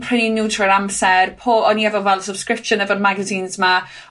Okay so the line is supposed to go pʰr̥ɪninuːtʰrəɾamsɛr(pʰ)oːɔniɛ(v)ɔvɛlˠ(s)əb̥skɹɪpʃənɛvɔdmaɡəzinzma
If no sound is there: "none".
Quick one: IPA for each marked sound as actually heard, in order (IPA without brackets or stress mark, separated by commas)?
pʰ, v, s